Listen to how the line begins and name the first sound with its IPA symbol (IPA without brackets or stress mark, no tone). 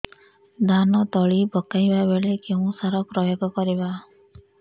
d̪